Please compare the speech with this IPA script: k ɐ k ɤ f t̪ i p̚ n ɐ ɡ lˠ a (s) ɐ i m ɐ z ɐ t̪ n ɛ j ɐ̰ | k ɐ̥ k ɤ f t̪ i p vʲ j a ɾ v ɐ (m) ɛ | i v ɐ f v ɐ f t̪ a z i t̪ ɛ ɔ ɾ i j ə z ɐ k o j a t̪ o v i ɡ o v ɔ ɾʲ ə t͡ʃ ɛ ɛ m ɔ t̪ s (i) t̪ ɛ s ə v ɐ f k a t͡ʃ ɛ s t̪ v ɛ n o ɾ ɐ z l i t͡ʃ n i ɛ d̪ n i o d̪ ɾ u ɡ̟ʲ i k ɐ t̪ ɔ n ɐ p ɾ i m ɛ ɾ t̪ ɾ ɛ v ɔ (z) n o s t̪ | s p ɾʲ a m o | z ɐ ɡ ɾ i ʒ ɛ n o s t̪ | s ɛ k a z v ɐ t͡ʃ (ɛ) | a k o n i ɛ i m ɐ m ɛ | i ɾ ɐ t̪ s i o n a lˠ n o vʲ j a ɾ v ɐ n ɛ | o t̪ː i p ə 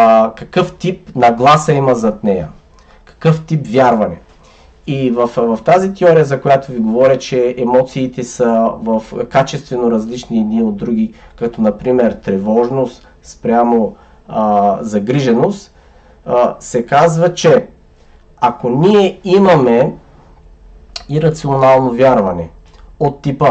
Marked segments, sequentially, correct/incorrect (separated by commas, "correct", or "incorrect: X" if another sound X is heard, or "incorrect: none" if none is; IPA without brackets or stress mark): correct, incorrect: n, incorrect: iː, incorrect: ʒ, correct